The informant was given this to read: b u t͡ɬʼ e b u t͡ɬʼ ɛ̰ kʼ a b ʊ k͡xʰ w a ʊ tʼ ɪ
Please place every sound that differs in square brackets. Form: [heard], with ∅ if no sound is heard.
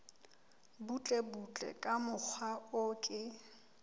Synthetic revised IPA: b u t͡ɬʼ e b u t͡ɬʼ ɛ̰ kʼ a [m] ʊ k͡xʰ w a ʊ [kʼ] ɪ